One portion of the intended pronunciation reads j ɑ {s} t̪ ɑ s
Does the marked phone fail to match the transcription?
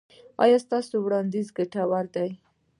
no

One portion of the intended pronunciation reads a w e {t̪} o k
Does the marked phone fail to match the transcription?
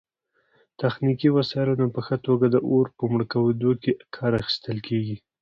yes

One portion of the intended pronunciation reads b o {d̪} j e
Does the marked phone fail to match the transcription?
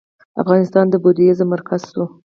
no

